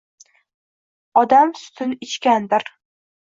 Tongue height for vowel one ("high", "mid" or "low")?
low